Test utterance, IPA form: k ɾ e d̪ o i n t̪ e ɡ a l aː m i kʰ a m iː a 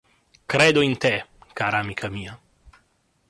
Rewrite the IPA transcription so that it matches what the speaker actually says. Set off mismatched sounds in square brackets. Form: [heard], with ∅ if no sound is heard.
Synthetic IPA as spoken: k ɾ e d̪ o i n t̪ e [k] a [ɾ] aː m i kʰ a m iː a

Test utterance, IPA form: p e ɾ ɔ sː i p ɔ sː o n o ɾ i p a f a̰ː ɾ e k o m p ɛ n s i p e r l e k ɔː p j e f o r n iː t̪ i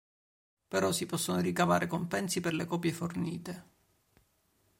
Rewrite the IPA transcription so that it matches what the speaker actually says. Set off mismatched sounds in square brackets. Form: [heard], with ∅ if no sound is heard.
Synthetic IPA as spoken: p e ɾ ɔ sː i p ɔ sː o n o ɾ i [k] a [v] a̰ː ɾ e k o m p ɛ n s i p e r l e k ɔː p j e f o r n iː t̪ [e]

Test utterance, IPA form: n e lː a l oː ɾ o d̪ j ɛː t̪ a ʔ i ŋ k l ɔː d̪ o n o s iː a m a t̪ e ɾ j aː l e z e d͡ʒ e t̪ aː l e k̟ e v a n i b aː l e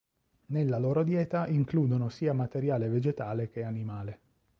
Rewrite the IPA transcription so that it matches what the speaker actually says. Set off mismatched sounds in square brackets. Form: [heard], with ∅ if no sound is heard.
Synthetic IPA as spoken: n e lː a l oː ɾ o d̪ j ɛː t̪ a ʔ i ŋ k l [uː] d̪ o n o s iː a m a t̪ e ɾ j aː l e [v] e d͡ʒ e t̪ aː l e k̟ e [∅] a n i [m] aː l e

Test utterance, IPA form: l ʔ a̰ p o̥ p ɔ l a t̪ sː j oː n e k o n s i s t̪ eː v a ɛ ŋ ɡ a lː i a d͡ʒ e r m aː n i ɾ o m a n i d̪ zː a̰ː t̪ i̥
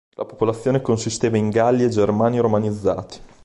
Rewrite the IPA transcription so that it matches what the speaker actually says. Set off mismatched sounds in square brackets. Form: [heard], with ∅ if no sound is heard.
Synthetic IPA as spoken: l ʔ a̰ p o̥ p [o] l a t̪ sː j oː n e k o n s i s t̪ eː v a [i] ŋ ɡ a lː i [e] d͡ʒ e r m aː n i ɾ o m a n i d̪ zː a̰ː t̪ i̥

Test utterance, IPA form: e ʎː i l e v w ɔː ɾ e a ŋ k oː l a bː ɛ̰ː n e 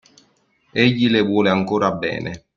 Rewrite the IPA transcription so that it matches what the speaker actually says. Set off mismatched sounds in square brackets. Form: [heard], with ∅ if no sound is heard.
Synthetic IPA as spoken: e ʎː i l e v w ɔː [l] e a ŋ k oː [ɾ] a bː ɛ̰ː n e

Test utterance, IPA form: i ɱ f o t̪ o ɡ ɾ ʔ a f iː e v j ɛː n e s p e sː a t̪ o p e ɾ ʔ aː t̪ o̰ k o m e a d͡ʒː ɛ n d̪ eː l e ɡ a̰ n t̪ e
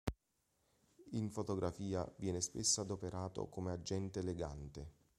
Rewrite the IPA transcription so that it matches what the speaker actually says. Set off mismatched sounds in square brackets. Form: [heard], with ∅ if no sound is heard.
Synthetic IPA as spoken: i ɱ f o t̪ o ɡ ɾ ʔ a f iː [a] v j ɛː n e s p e sː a [d̪] o p e ɾ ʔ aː t̪ o̰ k o m e a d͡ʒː ɛ n [t̪] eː l e ɡ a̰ n t̪ e

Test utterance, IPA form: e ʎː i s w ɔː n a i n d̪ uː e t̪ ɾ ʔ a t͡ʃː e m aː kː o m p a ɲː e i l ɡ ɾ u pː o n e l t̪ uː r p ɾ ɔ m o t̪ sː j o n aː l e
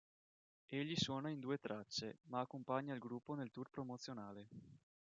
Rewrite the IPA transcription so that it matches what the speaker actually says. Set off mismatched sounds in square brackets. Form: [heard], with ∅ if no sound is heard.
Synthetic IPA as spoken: e ʎː i s w ɔː n a i n d̪ uː e t̪ ɾ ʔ a t͡ʃː e m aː kː o m p a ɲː [a] i l ɡ ɾ u pː o n e l t̪ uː r p ɾ [o] m o t̪ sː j o n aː l e

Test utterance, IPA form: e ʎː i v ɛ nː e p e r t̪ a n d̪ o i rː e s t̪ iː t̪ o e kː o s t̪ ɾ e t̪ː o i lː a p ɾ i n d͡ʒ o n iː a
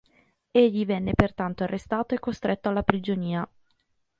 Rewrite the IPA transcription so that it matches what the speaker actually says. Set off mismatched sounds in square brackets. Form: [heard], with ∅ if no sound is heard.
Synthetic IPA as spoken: e ʎː i v ɛ nː e p e r t̪ a n [t̪] o [a] rː e s t̪ [aː] t̪ o e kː o s t̪ ɾ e t̪ː o [a] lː a p ɾ i [∅] d͡ʒ o n iː a

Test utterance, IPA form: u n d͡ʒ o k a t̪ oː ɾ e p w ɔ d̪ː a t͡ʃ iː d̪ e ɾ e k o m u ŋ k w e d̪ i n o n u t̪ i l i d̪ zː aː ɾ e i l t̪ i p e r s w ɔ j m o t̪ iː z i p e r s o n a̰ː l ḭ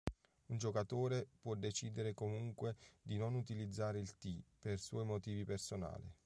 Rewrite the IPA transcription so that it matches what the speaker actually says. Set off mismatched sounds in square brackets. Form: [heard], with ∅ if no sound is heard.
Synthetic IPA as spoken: u n d͡ʒ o k a t̪ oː ɾ e p w ɔ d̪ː [e] t͡ʃ iː d̪ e ɾ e k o m u ŋ k w e d̪ i n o n u t̪ i l i d̪ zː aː ɾ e i l t̪ i p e r s w ɔ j m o t̪ iː [v] i p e r s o n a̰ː l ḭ

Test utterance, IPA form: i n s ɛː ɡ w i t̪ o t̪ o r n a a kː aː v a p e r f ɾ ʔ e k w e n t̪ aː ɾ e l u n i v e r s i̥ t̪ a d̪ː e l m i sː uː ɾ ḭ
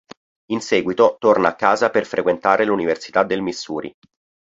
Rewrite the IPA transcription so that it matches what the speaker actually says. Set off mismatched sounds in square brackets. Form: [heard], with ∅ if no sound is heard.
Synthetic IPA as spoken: i n s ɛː ɡ w i t̪ o t̪ o r n a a kː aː [z] a p e r f ɾ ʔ e k w e n t̪ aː ɾ e l u n i v e r s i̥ t̪ a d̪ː e l m i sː uː ɾ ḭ

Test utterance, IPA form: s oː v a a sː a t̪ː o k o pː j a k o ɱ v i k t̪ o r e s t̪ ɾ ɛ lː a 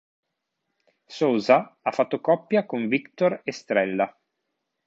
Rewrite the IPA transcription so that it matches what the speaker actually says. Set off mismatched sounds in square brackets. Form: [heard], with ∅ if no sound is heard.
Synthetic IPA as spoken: s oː [z] a a [fː] a t̪ː o k [ɔ] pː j a k o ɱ v i k t̪ o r e s t̪ ɾ ɛ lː a

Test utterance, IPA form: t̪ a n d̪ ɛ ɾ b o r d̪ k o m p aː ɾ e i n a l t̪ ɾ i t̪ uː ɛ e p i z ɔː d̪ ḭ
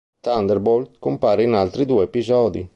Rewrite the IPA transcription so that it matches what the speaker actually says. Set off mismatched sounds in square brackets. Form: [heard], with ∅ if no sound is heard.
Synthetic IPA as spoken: t̪ a n d̪ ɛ ɾ b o [l] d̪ k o m p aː ɾ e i n a l t̪ ɾ i [d̪] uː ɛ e p i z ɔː d̪ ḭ

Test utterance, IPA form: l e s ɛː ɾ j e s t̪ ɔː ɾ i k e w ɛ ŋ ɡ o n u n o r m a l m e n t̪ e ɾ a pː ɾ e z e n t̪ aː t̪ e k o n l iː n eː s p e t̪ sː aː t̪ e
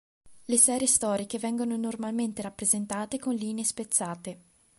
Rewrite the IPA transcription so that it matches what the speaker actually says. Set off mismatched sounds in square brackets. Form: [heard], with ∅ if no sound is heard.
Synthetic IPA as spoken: l e s ɛː ɾ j e s t̪ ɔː ɾ i k e [v] ɛ ŋ ɡ o n [o] n o r m a l m e n t̪ e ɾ a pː ɾ e z e n t̪ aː t̪ e k o n l iː n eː s p e t̪ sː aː t̪ e

